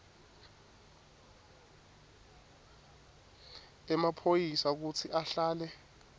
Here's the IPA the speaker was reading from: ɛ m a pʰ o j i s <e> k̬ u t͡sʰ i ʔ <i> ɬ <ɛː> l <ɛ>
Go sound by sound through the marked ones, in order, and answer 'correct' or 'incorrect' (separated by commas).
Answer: incorrect, incorrect, incorrect, correct